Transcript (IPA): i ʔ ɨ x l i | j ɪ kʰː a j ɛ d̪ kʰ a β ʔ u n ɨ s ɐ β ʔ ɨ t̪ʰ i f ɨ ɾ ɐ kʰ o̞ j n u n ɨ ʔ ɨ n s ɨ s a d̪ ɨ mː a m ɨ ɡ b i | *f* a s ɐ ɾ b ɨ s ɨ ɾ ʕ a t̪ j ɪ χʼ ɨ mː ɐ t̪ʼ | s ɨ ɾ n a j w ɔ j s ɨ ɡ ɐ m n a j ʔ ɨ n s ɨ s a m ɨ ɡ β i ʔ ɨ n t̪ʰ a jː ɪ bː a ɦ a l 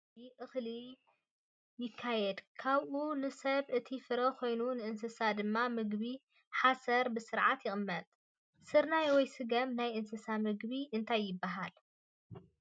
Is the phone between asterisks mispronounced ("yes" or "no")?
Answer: yes